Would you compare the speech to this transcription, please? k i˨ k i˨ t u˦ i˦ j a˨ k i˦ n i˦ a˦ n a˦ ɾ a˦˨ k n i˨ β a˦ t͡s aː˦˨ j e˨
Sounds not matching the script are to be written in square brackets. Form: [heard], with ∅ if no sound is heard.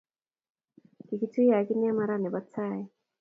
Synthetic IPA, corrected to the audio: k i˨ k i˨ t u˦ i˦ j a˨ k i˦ n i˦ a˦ [m] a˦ ɾ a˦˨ [∅] n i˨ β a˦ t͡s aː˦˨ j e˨